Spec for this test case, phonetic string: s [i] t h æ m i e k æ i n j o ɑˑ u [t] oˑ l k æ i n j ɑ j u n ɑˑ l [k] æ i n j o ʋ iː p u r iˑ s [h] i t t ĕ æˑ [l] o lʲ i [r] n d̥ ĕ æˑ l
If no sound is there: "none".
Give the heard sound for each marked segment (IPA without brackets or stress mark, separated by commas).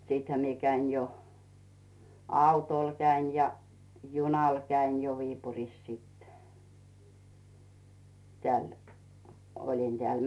iː, t, k, s, l, none